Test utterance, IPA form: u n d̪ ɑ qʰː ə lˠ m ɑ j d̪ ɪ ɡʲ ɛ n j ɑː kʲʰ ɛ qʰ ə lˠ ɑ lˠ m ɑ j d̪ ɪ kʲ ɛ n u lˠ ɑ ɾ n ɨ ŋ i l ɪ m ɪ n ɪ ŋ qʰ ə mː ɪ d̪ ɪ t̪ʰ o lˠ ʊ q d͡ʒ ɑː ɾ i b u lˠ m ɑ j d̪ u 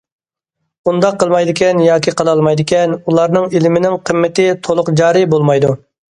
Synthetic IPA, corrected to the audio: u n d̪ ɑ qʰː ə lˠ m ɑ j d̪ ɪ kʲ ɛ n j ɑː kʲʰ i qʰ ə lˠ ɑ lˠ m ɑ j d̪ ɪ kʲ ɛ n u lˠ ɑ ɾ n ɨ ŋ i l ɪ m ɪ n ɪ ŋ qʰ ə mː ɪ t̪ ɪ t̪ʰ o lˠ ʊ q d͡ʒ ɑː ɾ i b o lˠ m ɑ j d̪ u